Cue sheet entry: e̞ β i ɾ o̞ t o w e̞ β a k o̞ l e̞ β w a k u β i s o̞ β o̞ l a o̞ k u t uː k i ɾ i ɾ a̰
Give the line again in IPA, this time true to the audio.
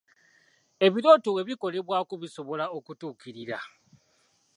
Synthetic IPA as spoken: e̞ β i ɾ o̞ t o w e̞ β i k o̞ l e̞ β w a k u β i s o̞ β o̞ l a o̞ k u t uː k i ɾ i ɾ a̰